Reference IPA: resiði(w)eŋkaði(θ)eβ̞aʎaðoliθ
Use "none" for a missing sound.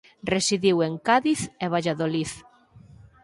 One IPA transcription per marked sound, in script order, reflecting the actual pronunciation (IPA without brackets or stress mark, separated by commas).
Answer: w, θ